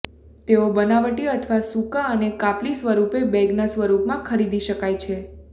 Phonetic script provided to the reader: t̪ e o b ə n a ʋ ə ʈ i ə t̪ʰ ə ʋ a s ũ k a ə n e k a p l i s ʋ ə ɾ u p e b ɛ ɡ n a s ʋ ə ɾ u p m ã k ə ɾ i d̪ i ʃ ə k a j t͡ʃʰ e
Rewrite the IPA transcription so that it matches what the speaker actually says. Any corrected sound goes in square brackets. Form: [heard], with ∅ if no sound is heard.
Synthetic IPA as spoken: t̪ e o b ə n a ʋ ə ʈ i ə t̪ʰ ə ʋ a s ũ k a ə n e k a p l i s ʋ ə ɾ u p e b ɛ ɡ n a s ʋ ə ɾ u p m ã [kʰ] ə ɾ i d̪ i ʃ ə k a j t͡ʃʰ e